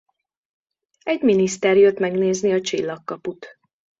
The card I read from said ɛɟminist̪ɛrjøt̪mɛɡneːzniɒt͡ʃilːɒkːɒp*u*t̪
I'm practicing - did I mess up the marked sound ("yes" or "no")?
no